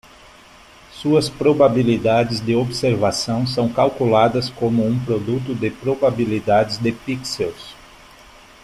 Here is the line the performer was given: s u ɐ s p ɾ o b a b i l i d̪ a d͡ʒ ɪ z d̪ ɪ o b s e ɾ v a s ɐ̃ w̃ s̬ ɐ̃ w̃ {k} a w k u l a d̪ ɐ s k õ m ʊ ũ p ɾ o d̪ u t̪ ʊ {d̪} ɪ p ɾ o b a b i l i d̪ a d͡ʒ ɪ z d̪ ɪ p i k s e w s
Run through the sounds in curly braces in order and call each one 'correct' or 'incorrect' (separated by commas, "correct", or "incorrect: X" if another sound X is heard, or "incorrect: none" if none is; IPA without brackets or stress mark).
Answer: correct, correct